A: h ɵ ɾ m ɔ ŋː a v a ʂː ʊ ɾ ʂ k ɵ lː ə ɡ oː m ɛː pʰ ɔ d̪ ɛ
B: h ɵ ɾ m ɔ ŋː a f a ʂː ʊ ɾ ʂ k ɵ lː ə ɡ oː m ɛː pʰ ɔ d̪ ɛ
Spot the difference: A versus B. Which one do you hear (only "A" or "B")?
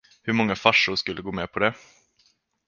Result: B